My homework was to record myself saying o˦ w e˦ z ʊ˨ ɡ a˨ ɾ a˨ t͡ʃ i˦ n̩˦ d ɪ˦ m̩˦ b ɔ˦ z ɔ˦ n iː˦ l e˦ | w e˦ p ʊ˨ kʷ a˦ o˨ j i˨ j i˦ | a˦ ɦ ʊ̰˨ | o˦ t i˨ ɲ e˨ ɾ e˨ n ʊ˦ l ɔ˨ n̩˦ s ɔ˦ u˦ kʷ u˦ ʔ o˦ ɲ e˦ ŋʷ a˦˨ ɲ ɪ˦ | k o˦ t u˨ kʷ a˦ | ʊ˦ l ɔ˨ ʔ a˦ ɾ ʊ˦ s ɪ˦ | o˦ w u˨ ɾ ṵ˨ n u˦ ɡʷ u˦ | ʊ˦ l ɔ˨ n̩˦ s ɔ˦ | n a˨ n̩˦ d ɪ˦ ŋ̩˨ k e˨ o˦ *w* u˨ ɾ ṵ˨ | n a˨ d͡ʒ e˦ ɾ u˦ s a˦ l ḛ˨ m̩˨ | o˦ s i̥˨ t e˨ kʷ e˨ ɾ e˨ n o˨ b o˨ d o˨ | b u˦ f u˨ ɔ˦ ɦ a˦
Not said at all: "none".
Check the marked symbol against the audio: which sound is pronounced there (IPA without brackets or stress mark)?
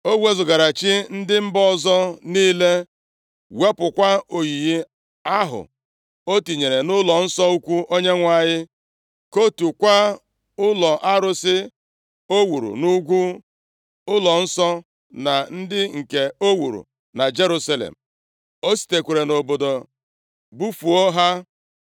w